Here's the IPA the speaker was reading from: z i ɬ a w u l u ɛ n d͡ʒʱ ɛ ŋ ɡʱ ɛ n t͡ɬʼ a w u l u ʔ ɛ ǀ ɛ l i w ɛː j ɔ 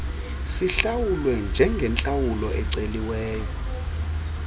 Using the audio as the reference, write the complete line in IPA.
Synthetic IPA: s i ɬ a w u l w ɛ n d͡ʒʱ ɛ ŋ ɡʱ ɛ n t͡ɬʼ a w u l ɔ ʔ ɛ ǀ e l i w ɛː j ɔ